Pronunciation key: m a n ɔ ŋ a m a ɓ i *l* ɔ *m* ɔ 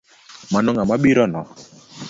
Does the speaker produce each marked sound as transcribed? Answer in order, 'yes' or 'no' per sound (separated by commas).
no, no